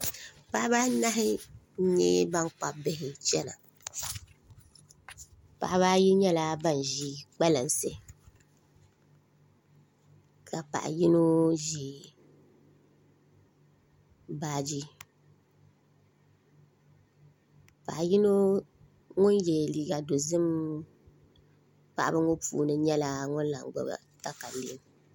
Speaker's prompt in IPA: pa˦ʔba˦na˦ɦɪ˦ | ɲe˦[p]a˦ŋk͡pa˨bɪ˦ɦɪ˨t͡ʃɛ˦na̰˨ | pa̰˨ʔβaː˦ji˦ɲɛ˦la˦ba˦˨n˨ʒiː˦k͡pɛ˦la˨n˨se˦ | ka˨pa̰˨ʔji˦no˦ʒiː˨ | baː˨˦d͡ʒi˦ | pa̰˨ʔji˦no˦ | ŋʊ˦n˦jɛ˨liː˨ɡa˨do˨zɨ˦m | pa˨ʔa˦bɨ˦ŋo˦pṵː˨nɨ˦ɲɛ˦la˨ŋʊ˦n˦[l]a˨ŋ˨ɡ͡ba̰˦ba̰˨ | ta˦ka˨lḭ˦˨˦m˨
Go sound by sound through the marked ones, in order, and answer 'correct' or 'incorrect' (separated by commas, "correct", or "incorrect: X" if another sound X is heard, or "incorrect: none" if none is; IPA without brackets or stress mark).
incorrect: b, correct